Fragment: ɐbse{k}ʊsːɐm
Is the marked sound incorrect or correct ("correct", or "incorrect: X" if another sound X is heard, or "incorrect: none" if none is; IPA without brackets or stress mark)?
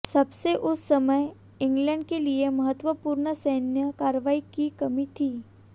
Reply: incorrect: ʔ